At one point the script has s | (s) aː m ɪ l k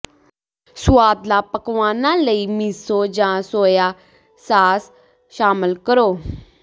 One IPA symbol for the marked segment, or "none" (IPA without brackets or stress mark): ʃ